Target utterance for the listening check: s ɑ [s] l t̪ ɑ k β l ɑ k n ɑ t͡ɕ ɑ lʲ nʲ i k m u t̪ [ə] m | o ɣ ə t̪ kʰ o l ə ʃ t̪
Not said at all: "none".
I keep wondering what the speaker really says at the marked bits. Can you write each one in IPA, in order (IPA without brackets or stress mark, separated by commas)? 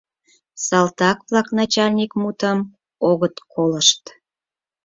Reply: none, ə